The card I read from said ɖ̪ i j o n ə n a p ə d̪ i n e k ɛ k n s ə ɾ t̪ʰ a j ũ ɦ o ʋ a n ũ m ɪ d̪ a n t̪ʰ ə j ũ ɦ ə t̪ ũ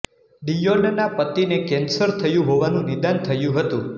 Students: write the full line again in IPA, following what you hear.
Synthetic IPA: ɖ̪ i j o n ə n a p ə t̪ i n e k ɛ n s ə ɾ t̪ʰ ə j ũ ɦ o ʋ a n ũ n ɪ d̪ a n t̪ʰ ə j ũ ɦ ə t̪ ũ

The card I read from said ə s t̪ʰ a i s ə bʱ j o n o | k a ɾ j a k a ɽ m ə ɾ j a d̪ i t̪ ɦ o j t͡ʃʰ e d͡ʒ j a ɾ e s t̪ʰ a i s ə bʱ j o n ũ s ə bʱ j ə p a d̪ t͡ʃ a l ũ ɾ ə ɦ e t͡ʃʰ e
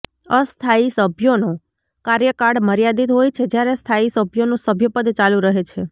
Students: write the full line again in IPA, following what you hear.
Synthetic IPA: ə s t̪ʰ a i s ə bʱ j o n o | k a ɾ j ə k a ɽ m ə ɾ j a d̪ i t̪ ɦ o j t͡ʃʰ e d͡ʒ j a ɾ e s t̪ʰ a i s ə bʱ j o n ũ s ə bʱ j ə p ə d̪ t͡ʃ a l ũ ɾ ə ɦ e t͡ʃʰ e

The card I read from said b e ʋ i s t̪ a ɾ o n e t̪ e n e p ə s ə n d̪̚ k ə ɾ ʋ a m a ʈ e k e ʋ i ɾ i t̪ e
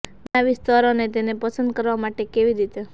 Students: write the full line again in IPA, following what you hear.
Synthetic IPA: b a ʋ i s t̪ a ɾ o n e t̪ e n e p ə s ə n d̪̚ k ə ɾ ʋ a m a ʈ e k e ʋ i ɾ i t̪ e

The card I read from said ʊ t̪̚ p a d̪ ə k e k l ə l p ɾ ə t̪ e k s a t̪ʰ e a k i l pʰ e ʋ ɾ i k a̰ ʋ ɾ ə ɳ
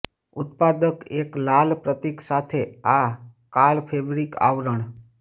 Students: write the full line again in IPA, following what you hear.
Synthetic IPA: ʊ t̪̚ p a d̪ ə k e k l a l p ɾ ə t̪ i k s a t̪ʰ e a k a l pʰ e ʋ ɾ i k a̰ ʋ ɾ ə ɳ

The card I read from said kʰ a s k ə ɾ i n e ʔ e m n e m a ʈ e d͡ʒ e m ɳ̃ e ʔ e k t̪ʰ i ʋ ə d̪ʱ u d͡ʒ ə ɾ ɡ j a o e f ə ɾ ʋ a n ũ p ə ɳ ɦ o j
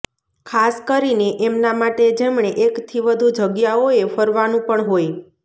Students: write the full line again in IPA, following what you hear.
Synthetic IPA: kʰ a s k ə ɾ i n e ʔ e m n a m a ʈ e d͡ʒ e m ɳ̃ e ʔ e k t̪ʰ i ʋ ə d̪ʱ u d͡ʒ ə ɡ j a o e f ə ɾ ʋ a n ũ p ə ɳ ɦ o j

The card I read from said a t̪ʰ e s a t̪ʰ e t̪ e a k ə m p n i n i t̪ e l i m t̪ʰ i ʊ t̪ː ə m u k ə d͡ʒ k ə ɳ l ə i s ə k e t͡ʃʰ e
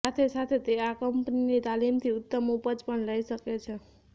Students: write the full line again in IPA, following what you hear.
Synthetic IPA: a t̪ʰ e s a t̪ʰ e t̪ e a k ə m p n i n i t̪ a l i m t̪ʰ i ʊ t̪ː ə m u p ə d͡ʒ p ə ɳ l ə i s ə k e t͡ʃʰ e

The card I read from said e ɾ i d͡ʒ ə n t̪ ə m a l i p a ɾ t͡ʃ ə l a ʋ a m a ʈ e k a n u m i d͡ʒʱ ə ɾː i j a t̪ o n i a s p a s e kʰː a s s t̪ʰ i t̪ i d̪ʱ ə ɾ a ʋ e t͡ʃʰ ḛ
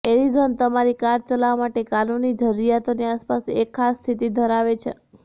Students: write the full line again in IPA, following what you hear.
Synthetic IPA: e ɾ i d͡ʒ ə n t̪ ə m a ɾ i k a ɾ t͡ʃ ə l a ʋ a m a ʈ e k a n u n i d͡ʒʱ ə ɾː i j a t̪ o n i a s p a s e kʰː a s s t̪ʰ i t̪ i d̪ʱ ə ɾ a ʋ e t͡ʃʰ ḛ

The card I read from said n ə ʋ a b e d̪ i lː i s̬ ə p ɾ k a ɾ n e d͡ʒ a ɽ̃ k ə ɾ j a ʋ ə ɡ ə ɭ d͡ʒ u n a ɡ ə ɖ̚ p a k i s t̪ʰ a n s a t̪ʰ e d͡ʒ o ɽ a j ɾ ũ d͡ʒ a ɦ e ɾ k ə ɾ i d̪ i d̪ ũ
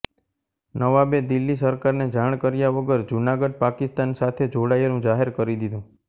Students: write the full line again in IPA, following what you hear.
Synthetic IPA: n ə ʋ a b e d̪ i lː i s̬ ə ɾ k a ɾ n e d͡ʒ a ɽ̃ k ə ɾ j a ʋ ə ɡ ə ɾ d͡ʒ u n a ɡ ə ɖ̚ p a k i s t̪ a n s a t̪ʰ e d͡ʒ o ɽ a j ɾ ũ d͡ʒ a ɦ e ɾ k ə ɾ i d̪ i d̪ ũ

